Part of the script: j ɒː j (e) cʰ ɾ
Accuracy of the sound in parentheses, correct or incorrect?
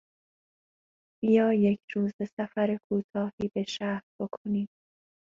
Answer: correct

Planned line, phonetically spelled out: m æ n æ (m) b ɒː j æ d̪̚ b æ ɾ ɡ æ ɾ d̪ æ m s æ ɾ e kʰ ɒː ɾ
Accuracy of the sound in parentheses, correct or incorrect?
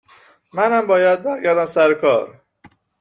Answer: correct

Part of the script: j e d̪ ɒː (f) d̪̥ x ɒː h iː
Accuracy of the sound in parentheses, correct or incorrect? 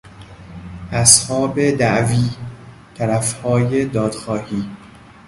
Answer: incorrect: none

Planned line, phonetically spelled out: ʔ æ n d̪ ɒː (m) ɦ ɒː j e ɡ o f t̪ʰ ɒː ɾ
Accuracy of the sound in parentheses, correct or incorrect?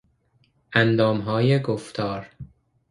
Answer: correct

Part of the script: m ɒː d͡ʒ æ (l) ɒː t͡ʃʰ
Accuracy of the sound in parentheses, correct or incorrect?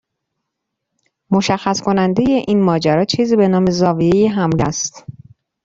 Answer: incorrect: ɾ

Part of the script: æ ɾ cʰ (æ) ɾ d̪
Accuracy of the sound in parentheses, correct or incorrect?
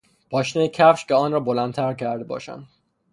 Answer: correct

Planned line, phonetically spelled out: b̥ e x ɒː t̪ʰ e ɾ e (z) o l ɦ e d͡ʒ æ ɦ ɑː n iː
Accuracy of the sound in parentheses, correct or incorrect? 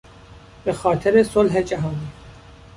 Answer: incorrect: s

